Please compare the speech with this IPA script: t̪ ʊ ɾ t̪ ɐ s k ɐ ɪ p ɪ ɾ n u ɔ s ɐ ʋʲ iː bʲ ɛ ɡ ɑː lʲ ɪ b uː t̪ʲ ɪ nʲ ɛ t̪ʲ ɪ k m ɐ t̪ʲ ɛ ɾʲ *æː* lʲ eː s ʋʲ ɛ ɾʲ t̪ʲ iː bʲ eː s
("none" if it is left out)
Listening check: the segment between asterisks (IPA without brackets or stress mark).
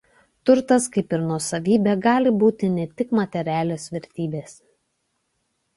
æː